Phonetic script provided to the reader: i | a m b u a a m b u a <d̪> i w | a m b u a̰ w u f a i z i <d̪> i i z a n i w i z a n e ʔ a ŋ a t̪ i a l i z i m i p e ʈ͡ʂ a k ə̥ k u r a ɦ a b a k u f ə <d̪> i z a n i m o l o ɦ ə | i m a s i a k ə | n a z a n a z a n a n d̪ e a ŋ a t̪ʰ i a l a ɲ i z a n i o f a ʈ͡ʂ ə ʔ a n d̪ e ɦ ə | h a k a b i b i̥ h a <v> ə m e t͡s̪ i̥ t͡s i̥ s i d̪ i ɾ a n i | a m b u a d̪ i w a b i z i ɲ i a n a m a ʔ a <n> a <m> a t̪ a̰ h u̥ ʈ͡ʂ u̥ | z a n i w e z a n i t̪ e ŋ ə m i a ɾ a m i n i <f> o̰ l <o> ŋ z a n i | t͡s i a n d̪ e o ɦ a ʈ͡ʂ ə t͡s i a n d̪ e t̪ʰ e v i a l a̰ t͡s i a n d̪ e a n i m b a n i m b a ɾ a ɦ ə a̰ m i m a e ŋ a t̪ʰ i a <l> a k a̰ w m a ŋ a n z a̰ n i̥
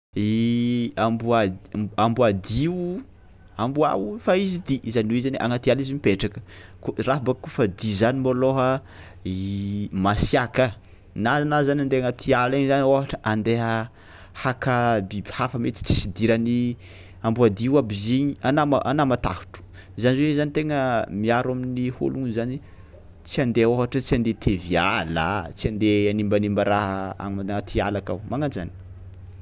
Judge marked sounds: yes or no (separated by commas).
yes, yes, yes, no, yes, yes, no, no, yes